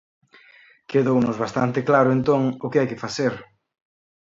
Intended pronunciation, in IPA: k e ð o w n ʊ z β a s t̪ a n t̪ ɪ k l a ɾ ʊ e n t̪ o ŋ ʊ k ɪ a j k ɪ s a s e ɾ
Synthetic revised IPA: k e ð o w n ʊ z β a s t̪ a n t̪ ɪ k l a ɾ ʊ e n t̪ o ŋ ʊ k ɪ a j k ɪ f a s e ɾ